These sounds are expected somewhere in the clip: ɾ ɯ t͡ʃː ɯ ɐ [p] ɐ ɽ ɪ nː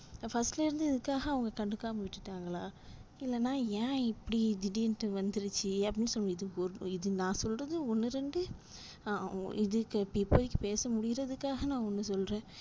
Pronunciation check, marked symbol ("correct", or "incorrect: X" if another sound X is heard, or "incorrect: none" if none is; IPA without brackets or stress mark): correct